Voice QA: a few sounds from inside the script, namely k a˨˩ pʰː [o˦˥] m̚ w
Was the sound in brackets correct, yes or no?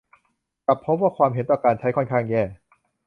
yes